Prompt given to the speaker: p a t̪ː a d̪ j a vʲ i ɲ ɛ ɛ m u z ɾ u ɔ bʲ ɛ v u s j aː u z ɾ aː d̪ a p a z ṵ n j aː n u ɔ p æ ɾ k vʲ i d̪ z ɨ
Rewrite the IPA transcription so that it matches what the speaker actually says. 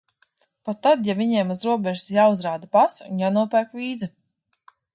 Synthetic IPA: p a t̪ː a d̪ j a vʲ i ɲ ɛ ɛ m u z ɾ u ɔ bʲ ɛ ʒ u s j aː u z ɾ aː d̪ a p a s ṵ n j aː n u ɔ p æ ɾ k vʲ iː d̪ z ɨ